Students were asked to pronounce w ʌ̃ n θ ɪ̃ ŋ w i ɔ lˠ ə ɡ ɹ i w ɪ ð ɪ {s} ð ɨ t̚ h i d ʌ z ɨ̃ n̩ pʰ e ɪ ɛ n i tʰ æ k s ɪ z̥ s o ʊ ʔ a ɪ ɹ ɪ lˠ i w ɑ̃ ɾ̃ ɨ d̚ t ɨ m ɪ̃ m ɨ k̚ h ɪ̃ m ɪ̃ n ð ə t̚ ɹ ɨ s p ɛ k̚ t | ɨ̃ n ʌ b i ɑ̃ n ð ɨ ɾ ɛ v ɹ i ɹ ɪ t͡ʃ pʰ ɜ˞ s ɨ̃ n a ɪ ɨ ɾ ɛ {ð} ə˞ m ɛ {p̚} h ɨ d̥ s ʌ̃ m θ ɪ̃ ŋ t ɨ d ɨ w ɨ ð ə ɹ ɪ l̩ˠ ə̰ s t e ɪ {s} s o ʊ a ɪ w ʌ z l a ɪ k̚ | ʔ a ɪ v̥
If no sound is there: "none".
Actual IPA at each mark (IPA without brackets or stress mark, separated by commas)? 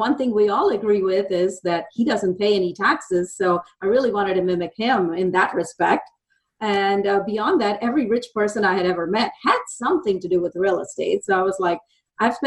z, v, t̚, t